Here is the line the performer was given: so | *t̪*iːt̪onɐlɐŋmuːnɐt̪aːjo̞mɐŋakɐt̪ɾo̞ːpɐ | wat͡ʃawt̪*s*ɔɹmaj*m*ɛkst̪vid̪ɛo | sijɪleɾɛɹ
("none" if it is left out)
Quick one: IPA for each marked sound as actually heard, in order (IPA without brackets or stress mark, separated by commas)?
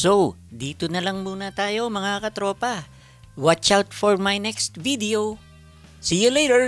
d̪, f, n